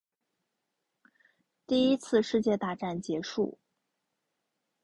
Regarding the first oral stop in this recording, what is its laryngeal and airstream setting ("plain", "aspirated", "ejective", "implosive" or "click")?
plain